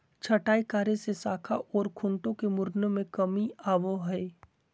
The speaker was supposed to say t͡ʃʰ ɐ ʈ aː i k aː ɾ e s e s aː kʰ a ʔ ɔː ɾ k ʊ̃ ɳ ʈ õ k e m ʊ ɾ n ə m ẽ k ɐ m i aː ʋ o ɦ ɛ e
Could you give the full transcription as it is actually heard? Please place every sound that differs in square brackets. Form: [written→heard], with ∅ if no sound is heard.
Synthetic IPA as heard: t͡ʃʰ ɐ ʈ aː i k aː ɾ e s e s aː kʰ a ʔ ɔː ɾ [k→kʰ] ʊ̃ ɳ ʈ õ k e m ʊ ɾ n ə m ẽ k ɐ m i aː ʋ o ɦ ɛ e